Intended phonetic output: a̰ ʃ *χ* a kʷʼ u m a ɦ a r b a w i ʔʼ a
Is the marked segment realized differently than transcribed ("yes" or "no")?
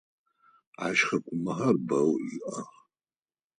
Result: no